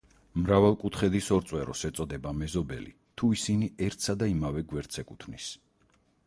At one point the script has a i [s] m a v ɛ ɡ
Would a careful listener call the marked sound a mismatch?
yes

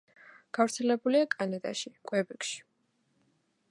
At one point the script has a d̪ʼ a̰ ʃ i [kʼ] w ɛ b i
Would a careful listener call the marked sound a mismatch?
no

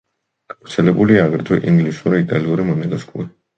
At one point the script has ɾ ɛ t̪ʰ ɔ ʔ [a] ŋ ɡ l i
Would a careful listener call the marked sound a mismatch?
yes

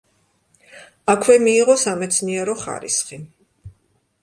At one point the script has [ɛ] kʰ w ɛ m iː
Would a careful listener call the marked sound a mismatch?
yes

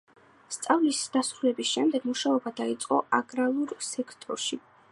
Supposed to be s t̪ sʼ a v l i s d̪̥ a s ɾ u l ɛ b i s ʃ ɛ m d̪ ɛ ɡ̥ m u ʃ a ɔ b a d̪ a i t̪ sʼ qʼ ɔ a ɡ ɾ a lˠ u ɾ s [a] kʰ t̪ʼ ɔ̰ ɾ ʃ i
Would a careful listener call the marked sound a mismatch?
yes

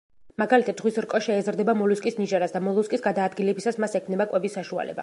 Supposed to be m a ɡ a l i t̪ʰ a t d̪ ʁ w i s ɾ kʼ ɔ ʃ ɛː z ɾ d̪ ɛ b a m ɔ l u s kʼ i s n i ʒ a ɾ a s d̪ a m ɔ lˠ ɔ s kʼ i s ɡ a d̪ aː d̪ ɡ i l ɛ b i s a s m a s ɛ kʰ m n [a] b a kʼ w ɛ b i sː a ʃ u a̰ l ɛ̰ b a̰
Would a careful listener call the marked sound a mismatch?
yes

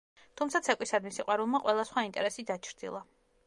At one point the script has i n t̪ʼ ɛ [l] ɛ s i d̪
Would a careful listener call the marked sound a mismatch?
yes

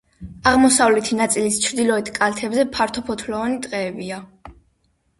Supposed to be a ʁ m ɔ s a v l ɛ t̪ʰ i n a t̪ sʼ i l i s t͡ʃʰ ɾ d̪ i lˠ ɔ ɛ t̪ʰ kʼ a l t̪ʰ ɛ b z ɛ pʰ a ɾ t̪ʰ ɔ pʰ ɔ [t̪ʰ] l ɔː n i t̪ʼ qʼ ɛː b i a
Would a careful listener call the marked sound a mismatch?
no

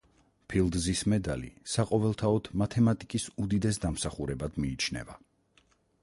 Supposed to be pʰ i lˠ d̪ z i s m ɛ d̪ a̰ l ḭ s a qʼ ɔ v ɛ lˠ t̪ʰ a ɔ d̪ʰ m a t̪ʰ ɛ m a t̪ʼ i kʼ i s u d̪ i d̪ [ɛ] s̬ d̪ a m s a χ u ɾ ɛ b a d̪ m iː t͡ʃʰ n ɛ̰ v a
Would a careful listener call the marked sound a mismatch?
no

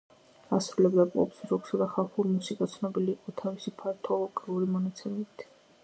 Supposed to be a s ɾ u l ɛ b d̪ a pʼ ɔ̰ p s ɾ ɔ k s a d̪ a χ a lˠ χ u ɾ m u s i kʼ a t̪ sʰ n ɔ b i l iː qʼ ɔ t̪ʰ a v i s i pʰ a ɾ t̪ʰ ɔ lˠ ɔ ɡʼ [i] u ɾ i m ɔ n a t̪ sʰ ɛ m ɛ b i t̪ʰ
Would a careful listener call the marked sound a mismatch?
no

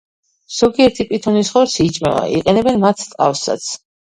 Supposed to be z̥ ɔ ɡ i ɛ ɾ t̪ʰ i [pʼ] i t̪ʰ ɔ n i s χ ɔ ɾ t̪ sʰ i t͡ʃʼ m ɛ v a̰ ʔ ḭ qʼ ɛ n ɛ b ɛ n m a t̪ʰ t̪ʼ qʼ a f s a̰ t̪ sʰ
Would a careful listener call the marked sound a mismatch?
no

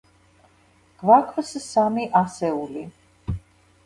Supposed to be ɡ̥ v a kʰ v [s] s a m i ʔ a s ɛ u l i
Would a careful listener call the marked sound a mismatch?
no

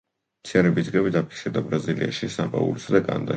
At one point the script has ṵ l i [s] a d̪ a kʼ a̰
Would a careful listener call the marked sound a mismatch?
no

